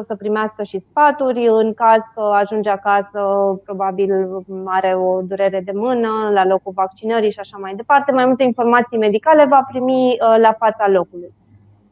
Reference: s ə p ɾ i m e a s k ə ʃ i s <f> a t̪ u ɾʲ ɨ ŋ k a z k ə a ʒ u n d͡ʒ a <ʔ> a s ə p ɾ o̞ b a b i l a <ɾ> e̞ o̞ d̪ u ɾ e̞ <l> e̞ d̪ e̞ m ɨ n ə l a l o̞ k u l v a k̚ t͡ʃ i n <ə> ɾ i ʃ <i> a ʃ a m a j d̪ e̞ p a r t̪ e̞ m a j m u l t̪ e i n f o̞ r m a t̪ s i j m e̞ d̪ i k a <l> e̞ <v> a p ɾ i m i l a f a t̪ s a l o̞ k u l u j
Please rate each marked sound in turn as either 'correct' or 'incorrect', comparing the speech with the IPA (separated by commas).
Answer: correct, incorrect, correct, incorrect, correct, correct, correct, correct